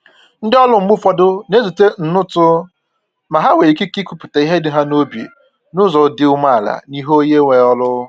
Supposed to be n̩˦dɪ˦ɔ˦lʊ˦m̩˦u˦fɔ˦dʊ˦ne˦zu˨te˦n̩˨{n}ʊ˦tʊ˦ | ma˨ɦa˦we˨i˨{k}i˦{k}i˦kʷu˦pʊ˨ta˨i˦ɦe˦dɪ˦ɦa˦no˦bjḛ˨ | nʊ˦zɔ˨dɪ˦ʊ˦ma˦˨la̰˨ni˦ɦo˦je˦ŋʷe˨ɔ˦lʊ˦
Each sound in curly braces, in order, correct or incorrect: correct, correct, correct

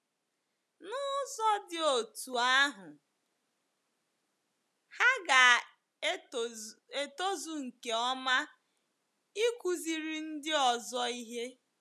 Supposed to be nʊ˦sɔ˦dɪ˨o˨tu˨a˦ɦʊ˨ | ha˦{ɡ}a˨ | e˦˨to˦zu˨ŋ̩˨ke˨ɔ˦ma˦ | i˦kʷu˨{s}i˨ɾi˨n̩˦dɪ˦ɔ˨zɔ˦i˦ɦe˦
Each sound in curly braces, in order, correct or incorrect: correct, incorrect: z

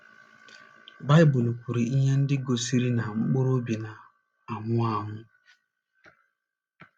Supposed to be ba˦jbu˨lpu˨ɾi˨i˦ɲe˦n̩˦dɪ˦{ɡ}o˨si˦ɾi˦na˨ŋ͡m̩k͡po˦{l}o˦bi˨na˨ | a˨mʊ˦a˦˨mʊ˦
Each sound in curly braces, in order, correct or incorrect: correct, incorrect: ɾ

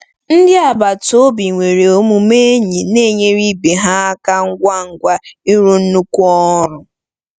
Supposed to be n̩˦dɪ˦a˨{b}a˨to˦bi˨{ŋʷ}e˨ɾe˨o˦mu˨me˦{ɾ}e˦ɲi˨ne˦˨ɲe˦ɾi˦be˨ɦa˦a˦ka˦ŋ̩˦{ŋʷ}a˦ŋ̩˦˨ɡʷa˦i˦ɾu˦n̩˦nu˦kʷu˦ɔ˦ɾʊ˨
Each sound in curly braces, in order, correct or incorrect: correct, correct, incorrect: none, incorrect: ɡʷ

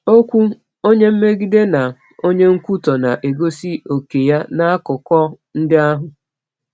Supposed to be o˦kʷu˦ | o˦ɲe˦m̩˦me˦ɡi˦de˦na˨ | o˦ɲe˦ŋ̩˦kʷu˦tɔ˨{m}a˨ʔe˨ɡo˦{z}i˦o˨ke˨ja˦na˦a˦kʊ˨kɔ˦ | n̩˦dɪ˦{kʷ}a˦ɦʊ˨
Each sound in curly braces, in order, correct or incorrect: incorrect: n, incorrect: s, incorrect: none

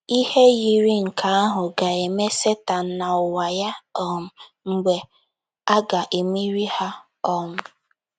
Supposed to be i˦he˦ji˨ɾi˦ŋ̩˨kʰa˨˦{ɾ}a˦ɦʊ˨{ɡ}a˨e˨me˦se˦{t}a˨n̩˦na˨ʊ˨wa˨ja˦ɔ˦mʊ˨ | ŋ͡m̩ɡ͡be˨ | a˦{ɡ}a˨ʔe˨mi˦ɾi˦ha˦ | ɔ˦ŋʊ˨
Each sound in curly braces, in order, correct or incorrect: incorrect: none, correct, correct, correct

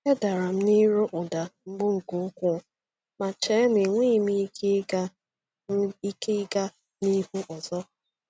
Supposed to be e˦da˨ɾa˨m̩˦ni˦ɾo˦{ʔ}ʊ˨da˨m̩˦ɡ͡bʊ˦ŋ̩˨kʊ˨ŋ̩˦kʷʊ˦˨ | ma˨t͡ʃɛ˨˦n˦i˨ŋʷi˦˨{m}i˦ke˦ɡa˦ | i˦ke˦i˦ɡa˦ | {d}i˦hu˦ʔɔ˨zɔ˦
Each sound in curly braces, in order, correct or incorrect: correct, correct, incorrect: n

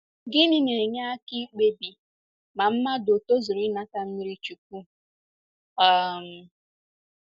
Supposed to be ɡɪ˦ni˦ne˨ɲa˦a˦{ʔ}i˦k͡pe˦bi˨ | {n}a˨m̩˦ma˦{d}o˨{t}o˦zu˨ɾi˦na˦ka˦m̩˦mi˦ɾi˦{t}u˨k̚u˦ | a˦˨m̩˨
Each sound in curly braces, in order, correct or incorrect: incorrect: k, incorrect: m, correct, correct, incorrect: t͡ʃ

